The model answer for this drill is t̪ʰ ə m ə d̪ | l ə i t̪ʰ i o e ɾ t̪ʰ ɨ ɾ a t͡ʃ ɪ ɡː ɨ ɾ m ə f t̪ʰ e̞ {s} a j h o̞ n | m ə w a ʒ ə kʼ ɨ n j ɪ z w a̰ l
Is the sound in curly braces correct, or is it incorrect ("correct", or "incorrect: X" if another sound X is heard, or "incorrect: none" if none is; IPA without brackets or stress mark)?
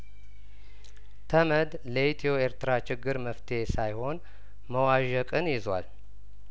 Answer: correct